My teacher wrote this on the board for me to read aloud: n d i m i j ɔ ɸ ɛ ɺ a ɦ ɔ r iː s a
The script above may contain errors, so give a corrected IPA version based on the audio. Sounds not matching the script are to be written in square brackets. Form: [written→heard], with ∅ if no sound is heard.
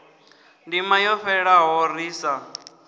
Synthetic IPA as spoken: n d i m [i→a] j ɔ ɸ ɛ ɺ a ɦ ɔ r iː s a